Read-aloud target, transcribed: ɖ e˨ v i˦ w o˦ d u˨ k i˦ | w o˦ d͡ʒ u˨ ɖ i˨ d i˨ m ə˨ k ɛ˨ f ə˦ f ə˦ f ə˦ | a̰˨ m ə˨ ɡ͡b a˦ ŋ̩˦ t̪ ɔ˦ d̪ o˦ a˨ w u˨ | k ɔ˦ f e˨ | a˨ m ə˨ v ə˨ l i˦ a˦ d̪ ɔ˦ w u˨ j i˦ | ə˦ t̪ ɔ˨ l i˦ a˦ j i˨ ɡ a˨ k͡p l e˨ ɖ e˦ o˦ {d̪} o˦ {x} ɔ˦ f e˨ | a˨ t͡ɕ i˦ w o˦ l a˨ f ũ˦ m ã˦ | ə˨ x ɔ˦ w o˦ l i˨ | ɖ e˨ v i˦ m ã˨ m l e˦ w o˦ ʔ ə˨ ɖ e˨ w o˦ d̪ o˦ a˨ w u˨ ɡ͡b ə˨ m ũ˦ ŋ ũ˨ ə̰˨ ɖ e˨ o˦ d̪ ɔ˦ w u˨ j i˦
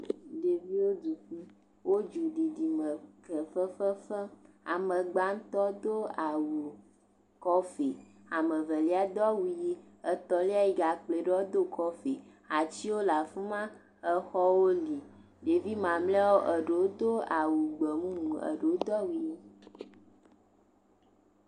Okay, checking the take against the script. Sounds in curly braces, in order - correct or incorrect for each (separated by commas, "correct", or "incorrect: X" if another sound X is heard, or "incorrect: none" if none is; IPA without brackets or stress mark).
correct, incorrect: k